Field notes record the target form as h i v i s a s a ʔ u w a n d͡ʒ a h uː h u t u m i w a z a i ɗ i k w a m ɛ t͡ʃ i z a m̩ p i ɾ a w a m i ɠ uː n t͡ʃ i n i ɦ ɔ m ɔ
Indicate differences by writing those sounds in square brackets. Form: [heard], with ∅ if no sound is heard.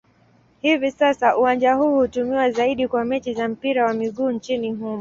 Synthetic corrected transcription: h i v i s a s a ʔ u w a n d͡ʒ a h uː h u t u m i w a z a i ɗ i k w a m ɛ t͡ʃ i z a m̩ p i ɾ a w a m i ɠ uː n t͡ʃ i n i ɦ [u] m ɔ

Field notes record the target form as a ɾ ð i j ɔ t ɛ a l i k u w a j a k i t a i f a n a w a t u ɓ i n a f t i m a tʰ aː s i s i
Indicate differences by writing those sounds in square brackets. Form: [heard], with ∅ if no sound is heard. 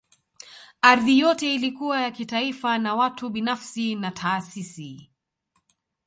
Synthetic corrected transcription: a ɾ ð i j ɔ t ɛ [i] l i k u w a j a k i t a i f a n a w a t u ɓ i n a f [s] i [n] a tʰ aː s i s i

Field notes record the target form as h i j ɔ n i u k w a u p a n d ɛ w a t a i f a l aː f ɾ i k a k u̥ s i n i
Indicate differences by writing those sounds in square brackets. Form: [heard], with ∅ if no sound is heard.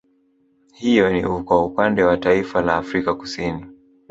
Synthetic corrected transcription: h i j ɔ n i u k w a u p a n d ɛ w a t a i f a l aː f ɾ i k a k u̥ s i n i

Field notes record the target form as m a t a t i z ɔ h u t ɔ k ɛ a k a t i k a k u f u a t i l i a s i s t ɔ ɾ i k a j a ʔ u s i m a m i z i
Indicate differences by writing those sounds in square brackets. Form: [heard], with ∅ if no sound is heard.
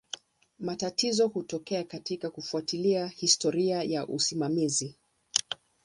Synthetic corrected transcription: m a t a t i z ɔ h u t ɔ k ɛ a k a t i k a k u f u a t i l i a [h] i s t ɔ ɾ i [∅] a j a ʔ u s i m a m i z i

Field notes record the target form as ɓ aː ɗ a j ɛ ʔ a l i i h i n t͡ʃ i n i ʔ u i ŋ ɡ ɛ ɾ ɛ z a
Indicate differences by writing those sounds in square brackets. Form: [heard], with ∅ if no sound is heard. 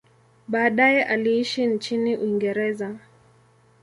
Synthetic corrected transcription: ɓ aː ɗ a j ɛ ʔ a l i i [ʃ] i n t͡ʃ i n i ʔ u i ŋ ɡ ɛ ɾ ɛ z a

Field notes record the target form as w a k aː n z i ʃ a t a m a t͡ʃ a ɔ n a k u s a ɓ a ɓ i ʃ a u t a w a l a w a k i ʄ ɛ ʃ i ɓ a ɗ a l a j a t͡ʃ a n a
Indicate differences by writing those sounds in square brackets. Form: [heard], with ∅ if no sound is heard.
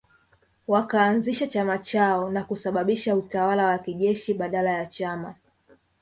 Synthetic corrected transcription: w a k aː n z i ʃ a [t͡ʃ] a m a t͡ʃ a ɔ n a k u s a ɓ a ɓ i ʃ a u t a w a l a w a k i ʄ ɛ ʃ i ɓ a ɗ a l a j a t͡ʃ a [m] a

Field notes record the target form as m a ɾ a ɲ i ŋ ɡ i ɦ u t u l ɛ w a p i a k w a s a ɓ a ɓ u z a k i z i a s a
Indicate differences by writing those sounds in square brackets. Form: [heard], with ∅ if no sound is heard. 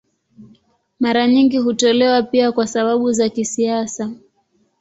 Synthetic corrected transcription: m a ɾ a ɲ i ŋ ɡ i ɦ u t [ɔ] l ɛ w a p i a k w a s a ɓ a ɓ u z a k i [s] i a s a

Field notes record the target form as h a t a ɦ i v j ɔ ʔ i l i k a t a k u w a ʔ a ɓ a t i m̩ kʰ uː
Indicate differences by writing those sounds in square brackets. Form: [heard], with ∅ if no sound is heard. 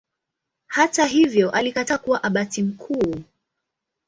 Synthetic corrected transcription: h a t a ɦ i v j ɔ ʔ [a] l i k a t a k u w a ʔ a ɓ a t i m̩ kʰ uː

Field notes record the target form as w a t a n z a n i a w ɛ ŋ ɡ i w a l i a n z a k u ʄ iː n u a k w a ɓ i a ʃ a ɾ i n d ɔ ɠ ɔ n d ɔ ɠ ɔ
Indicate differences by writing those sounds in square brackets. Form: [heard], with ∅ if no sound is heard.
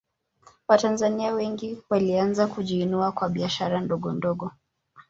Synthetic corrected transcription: w a t a n z a n i a w ɛ ŋ ɡ i w a l i a n z a k u ʄ iː n u a k w a ɓ i a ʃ a ɾ [a] n d ɔ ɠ ɔ n d ɔ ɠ ɔ

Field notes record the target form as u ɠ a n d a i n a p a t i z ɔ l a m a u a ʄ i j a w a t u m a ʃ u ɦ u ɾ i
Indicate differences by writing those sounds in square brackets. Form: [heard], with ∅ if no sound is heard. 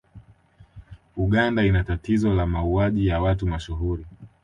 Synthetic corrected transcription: u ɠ a n d a i n a [t] a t i z ɔ l a m a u a ʄ i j a w a t u m a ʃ u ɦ u ɾ i

